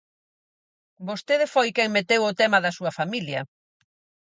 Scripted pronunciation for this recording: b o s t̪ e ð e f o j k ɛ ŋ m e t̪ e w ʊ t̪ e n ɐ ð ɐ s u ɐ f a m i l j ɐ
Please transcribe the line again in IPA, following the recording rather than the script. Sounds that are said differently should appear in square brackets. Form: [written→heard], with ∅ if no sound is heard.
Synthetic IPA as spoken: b o s t̪ e ð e f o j k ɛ ŋ m e t̪ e w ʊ t̪ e [n→m] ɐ ð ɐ s u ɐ f a m i l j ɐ